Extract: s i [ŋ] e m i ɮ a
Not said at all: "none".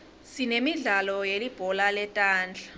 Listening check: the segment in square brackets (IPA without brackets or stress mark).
n